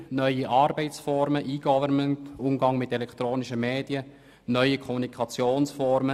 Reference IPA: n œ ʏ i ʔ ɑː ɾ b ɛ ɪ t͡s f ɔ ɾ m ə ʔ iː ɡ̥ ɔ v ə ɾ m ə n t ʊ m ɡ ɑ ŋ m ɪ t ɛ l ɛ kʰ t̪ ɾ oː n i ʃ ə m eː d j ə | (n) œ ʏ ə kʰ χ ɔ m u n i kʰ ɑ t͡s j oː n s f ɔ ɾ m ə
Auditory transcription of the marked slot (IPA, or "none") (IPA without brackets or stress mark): n